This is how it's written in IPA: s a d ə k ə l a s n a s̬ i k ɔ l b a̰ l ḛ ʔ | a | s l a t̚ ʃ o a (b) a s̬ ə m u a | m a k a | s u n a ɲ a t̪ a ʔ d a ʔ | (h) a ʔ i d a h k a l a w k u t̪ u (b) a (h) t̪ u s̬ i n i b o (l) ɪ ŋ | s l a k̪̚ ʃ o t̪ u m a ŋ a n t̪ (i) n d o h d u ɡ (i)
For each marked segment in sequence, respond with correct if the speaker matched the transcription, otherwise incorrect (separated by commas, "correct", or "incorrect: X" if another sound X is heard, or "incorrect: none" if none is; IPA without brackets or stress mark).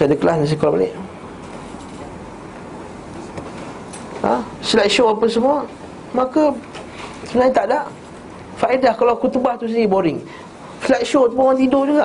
incorrect: p, incorrect: f, correct, correct, incorrect: ɾ, correct, incorrect: a